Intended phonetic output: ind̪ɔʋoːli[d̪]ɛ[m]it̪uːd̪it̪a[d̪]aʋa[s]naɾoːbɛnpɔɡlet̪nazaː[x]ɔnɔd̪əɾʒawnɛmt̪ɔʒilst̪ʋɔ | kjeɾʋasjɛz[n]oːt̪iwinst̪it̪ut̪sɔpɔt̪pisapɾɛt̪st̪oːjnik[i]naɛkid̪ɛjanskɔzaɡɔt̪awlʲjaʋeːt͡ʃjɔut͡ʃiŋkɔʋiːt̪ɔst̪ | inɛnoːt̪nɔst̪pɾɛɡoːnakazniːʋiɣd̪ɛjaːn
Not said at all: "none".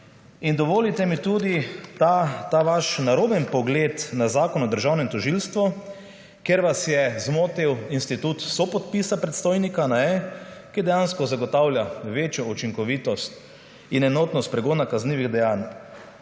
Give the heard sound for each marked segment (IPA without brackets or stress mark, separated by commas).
t̪, m, t̪, ʃ, k, m, a